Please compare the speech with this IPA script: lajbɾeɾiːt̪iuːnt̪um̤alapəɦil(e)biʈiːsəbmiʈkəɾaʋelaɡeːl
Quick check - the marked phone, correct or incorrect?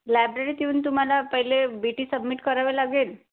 correct